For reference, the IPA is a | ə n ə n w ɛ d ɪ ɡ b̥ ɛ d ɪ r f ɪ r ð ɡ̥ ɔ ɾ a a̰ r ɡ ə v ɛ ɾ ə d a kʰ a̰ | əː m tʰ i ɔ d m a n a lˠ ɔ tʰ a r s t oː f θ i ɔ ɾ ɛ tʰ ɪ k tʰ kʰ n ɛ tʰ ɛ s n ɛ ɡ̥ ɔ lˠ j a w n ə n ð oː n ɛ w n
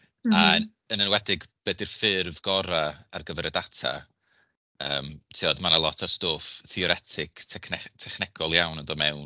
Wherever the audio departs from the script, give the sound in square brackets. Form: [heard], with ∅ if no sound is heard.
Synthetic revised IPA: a | ə n ə n w ɛ d ɪ ɡ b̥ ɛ d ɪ r f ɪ r [v] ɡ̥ ɔ ɾ a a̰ r ɡ ə v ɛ ɾ ə d a [tʰ] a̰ | əː m tʰ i ɔ d m a n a lˠ ɔ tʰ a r s t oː f θ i ɔ ɾ ɛ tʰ ɪ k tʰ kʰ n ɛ tʰ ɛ [χ] n ɛ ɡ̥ ɔ lˠ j a w n ə n ð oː [m] ɛ w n